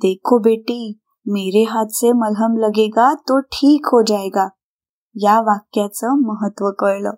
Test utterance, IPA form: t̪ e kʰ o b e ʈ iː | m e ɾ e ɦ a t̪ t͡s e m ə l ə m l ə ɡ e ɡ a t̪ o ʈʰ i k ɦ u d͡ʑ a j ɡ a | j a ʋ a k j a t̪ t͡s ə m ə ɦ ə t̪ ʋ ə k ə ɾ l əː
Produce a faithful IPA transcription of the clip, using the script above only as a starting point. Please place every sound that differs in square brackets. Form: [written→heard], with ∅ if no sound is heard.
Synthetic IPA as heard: [t̪→d̪] e kʰ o b e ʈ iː | m e ɾ e ɦ a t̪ t͡s e m ə l ə m l ə ɡ e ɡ a t̪ o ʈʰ [i→iː] k ɦ [u→o] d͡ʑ a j ɡ a | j a ʋ a k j a [t̪→∅] t͡s ə m ə ɦ ə t̪ ʋ ə k ə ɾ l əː